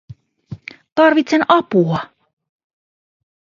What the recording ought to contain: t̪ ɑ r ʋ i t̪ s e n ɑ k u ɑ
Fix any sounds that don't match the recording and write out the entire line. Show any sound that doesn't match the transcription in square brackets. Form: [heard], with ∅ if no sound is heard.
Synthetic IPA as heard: t̪ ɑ r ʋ i t̪ s e n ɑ [p] u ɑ